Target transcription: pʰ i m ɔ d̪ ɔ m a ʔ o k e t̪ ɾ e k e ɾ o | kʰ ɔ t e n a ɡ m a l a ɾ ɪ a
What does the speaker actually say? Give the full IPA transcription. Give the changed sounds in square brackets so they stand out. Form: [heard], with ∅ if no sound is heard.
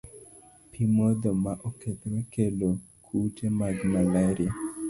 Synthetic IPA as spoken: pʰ i m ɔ d̪ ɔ m a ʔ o k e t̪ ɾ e k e [l] o | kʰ [u] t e [m] a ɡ m a l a ɾ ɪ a